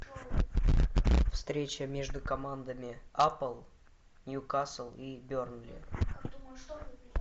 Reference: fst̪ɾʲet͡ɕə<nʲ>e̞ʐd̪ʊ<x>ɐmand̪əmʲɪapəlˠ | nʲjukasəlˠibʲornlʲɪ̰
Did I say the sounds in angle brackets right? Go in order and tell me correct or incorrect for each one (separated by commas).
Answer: incorrect, incorrect